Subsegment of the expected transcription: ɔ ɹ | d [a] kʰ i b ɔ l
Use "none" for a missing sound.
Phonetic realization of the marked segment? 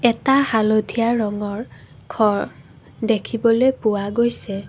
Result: e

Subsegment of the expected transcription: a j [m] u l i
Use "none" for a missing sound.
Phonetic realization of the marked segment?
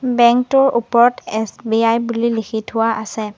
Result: b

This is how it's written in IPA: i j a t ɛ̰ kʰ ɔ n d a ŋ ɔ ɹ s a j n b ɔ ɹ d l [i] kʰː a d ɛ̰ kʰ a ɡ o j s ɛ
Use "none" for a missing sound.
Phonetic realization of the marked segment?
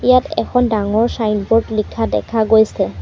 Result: i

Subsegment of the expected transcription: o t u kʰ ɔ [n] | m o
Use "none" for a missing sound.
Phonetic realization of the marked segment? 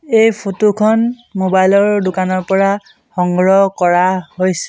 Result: n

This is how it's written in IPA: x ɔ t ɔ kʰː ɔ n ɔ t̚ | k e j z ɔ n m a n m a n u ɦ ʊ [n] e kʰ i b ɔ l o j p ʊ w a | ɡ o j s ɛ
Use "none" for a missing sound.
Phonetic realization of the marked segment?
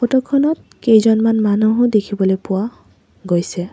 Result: d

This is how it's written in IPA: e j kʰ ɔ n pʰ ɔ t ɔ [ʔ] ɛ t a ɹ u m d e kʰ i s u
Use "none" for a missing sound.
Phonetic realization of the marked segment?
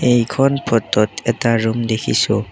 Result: t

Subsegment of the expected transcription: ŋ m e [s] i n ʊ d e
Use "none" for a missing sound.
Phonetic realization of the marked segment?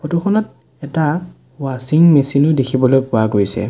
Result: s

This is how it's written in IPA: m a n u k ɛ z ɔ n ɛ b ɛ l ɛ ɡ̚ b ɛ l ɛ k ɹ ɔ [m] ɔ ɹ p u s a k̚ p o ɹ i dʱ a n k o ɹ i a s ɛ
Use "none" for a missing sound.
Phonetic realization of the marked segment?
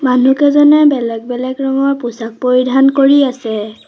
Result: ŋ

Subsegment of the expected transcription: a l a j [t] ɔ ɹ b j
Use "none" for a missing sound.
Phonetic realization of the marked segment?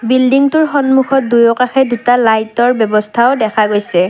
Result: t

